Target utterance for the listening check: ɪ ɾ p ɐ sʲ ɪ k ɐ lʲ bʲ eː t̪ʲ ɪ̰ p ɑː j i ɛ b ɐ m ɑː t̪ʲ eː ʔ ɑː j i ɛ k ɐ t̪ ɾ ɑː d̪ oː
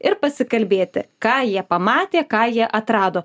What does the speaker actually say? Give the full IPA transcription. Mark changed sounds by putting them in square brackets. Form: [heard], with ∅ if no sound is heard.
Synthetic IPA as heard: ɪ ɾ p ɐ sʲ ɪ k ɐ lʲ bʲ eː t̪ʲ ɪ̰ [k] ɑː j i ɛ [p] ɐ m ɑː t̪ʲ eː [k] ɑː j i ɛ [ʔ] ɐ t̪ ɾ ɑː d̪ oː